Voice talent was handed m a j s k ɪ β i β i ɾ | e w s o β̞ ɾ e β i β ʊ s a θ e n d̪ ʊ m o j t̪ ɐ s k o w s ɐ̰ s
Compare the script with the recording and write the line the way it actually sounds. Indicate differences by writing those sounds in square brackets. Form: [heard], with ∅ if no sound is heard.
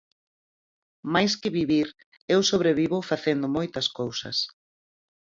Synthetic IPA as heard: m a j s k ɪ β i β i ɾ | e w s o β̞ ɾ e β i β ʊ [f] a θ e n d̪ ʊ m o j t̪ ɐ s k o w s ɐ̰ s